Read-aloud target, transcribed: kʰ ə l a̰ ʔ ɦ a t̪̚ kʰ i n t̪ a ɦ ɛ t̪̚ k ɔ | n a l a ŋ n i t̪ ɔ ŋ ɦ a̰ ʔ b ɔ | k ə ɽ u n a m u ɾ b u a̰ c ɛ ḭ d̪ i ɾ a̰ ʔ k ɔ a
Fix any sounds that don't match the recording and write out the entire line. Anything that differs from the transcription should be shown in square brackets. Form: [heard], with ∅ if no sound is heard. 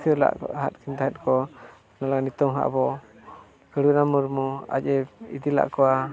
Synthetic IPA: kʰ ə l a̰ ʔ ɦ a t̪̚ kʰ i n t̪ a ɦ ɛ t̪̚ k ɔ | n a l a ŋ n i t̪ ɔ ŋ ɦ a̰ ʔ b ɔ | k ə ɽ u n a m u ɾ [m] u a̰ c ɛ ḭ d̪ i [l] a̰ ʔ k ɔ a